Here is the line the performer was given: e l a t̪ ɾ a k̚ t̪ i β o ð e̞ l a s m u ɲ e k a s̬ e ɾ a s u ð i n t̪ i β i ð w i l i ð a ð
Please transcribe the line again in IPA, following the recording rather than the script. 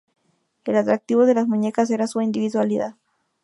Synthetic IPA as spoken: e l a t̪ ɾ a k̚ t̪ i β o ð e̞ l a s m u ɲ e k a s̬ e ɾ a s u i n d̪ i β i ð w a l i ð a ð